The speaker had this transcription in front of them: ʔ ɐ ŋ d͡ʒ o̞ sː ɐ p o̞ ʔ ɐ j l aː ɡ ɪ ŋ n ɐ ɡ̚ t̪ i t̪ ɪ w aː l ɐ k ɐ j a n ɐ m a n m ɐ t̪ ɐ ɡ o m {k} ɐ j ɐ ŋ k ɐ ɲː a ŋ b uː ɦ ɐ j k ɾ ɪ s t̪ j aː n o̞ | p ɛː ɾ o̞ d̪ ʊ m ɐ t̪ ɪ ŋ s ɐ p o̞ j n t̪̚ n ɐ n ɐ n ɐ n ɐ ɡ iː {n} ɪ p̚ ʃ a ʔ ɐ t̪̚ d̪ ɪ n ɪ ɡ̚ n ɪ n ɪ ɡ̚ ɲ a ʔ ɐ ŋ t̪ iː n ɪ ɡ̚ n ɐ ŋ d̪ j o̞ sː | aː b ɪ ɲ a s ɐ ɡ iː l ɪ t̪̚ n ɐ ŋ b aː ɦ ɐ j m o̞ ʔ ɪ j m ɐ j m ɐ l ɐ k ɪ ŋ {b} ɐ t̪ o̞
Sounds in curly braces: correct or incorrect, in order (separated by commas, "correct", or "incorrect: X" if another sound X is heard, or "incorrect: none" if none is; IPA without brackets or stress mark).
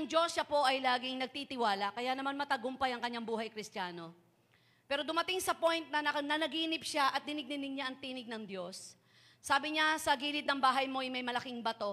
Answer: incorrect: p, correct, correct